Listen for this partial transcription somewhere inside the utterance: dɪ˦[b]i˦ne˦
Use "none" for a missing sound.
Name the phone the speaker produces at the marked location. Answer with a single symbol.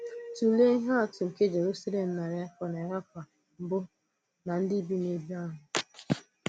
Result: b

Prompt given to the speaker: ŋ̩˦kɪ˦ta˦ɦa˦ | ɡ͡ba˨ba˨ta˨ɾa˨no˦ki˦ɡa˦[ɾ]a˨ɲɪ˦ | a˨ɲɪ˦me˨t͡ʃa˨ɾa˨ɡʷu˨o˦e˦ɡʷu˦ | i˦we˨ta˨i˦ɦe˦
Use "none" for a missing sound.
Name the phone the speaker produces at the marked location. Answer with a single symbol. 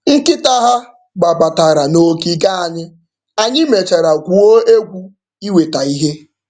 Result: none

